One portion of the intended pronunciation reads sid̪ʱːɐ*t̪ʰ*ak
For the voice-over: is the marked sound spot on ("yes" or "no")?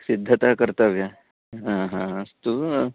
no